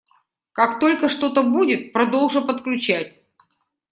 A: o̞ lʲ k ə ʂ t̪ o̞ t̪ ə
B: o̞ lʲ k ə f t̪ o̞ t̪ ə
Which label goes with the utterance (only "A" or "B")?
A